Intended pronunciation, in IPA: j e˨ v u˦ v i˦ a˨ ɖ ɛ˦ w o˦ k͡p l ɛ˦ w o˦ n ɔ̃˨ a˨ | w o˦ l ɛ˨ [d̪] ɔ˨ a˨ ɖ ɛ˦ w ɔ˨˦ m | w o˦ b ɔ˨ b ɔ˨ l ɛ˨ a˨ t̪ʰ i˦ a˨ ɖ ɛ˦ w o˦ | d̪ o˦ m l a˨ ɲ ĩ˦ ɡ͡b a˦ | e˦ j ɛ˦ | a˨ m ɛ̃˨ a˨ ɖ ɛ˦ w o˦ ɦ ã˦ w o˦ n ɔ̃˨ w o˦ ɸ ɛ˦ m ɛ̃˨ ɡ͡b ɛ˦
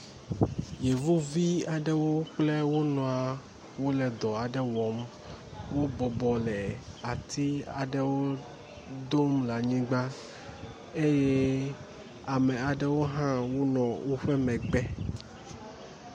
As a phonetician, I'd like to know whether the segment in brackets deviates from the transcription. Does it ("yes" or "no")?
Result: no